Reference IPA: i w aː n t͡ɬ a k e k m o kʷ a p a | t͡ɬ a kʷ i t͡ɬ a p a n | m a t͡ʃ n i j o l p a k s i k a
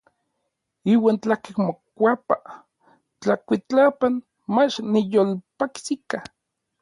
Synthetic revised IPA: i w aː n t͡ɬ a k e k m o kʷ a p a | t͡ɬ a kʷ i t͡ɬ a p a n | m a t͡ʃ n i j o l p a k s i k a